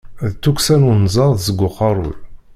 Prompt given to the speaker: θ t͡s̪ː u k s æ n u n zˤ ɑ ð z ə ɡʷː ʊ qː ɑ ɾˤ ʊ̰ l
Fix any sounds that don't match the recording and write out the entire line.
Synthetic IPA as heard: ð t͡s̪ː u k s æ n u n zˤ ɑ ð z ə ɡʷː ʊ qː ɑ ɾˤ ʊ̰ l